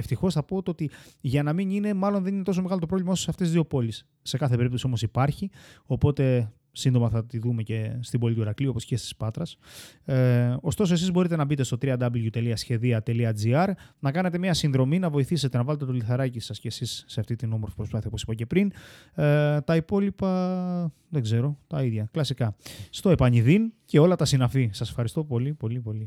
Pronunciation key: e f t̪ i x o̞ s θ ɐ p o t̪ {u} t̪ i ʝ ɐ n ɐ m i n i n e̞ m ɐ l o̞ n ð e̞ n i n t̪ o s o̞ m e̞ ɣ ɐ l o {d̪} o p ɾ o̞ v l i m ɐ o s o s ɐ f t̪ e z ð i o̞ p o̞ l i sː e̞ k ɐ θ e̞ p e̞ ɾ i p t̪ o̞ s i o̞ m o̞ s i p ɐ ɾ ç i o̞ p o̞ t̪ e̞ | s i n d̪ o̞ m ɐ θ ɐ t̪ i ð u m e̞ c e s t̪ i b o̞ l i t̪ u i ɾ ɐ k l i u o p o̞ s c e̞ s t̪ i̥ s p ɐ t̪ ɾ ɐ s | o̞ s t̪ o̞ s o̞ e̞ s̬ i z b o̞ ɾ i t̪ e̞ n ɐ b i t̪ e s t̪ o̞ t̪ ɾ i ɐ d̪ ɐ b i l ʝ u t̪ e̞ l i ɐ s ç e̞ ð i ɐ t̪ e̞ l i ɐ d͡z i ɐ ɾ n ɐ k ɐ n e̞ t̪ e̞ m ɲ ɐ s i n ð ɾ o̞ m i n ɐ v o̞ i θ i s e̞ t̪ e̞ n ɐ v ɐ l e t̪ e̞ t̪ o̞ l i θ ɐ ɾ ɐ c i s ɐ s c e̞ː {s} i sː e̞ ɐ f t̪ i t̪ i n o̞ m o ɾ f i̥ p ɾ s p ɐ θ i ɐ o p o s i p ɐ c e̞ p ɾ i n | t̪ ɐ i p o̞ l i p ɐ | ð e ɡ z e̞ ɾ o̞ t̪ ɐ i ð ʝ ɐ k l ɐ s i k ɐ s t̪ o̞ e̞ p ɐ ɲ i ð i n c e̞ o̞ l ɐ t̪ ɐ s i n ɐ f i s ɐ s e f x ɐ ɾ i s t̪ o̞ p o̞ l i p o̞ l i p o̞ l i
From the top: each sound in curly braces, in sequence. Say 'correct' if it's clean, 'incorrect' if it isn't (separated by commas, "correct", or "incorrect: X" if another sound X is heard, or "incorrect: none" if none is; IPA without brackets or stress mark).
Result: incorrect: o, incorrect: t̪, correct